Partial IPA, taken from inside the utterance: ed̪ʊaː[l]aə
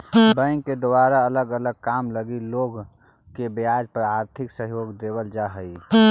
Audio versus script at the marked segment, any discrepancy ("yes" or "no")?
yes